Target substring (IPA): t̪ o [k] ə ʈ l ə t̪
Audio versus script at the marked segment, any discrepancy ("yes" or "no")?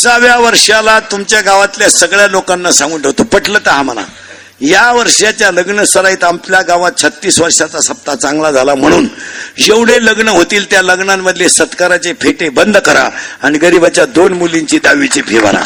yes